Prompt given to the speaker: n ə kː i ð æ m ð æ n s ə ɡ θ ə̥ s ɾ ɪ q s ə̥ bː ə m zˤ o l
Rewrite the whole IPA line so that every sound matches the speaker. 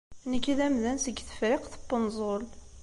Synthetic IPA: n ə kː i ð æ m ð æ n s ə ɡ θ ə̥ f ɾ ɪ q θ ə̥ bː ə n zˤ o l